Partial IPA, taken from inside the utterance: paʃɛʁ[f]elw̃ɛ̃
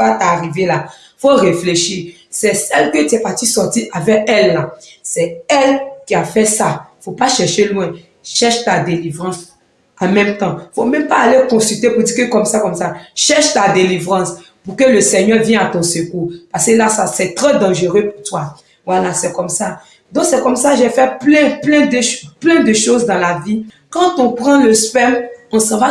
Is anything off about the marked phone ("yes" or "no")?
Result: yes